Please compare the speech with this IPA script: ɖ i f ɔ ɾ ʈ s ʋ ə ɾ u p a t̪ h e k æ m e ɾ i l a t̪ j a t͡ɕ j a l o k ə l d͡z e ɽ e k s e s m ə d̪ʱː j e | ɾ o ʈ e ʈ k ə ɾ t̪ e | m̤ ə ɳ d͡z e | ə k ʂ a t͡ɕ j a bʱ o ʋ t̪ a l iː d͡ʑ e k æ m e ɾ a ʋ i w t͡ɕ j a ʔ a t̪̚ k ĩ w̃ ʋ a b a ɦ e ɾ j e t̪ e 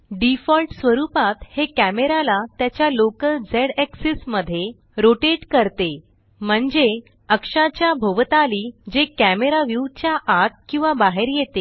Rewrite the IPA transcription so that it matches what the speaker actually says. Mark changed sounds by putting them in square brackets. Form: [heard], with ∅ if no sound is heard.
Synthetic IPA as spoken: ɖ i f ɔ [l] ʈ s ʋ ə ɾ u p a t̪ h e k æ m e ɾ [a] l a t̪ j a t͡ɕ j a l o k ə l d͡z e ɽ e k s [i] s m ə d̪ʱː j e | ɾ o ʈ e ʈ k ə ɾ t̪ e | m̤ ə ɳ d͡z e | ə k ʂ a t͡ɕ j a bʱ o ʋ t̪ a l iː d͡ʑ e k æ m e ɾ a ʋ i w t͡ɕ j a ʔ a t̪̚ k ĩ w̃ ʋ a b a ɦ e ɾ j e t̪ e